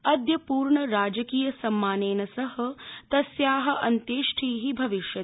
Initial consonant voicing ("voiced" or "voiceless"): voiced